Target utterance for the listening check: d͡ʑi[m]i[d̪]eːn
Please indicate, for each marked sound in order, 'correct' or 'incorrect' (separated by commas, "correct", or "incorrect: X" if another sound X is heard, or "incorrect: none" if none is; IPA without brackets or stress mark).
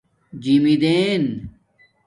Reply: correct, correct